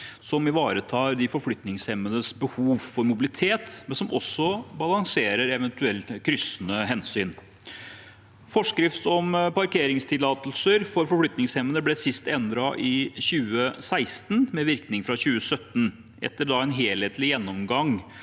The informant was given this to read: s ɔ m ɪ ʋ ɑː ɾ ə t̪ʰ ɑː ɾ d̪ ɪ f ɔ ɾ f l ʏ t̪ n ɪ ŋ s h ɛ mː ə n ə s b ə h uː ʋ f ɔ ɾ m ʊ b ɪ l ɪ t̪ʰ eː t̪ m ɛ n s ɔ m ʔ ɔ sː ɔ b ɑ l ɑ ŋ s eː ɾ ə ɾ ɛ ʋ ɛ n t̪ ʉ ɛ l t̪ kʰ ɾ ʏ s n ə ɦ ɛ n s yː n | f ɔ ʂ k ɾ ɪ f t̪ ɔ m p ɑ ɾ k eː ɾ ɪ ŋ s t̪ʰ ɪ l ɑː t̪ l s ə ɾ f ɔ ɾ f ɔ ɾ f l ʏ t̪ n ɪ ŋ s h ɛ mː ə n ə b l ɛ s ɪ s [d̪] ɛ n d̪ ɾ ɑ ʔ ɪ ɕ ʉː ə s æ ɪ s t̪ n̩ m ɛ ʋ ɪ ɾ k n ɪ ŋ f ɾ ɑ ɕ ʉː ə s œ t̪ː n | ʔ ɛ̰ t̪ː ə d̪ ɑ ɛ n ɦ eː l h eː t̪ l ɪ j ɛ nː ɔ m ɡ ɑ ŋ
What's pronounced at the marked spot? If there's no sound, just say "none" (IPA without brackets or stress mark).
t̪